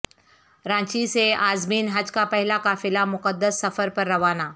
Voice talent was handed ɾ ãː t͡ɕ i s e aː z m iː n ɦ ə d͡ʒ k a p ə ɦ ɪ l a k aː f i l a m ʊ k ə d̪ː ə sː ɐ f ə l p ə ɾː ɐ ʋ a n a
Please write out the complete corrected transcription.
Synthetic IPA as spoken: ɾ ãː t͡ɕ i s e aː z m iː n ɦ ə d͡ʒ k a p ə ɦ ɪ l a k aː f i l a m ʊ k ə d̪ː ə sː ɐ f ə ɾ p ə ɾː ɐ ʋ a n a